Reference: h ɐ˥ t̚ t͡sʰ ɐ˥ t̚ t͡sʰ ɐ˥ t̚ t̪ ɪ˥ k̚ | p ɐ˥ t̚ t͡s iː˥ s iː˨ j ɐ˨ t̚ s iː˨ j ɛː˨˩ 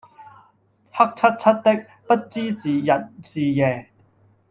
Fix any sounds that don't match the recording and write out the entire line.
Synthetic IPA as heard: h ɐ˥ k̚ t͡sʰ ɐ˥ t̚ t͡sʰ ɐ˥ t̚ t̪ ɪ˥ k̚ | p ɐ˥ t̚ t͡s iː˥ s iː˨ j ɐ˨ t̚ s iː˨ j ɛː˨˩